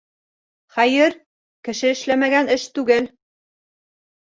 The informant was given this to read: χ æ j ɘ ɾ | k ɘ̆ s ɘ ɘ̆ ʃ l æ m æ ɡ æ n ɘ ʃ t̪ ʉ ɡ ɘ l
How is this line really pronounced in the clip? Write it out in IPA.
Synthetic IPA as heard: χ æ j ɘ ɾ | k ɘ̆ ʃ ɘ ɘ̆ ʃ l æ m æ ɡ æ n ɘ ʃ t̪ ʉ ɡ ɘ l